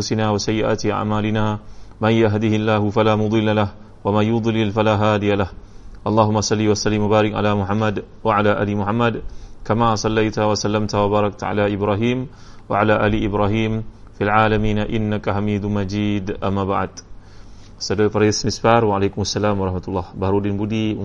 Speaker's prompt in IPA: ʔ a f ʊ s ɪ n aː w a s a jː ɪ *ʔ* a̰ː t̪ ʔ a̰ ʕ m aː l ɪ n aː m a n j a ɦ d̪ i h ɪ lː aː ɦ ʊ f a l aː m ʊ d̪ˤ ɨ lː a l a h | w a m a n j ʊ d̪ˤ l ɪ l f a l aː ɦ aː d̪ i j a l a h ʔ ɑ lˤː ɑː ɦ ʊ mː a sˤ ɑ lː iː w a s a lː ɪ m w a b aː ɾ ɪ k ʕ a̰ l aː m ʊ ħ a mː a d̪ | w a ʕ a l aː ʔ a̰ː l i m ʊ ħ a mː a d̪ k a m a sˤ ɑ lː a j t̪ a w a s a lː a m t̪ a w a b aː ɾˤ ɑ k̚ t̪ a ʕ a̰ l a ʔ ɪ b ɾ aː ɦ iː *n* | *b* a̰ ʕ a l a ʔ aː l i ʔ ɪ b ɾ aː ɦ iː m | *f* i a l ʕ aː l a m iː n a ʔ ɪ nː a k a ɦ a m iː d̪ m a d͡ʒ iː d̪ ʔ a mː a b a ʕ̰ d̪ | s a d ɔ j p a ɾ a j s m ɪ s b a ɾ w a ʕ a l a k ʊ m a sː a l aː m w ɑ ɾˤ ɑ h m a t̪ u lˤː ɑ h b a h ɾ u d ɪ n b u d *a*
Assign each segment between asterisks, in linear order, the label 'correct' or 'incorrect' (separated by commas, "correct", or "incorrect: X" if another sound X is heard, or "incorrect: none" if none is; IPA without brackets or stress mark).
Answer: correct, incorrect: m, incorrect: w, correct, incorrect: i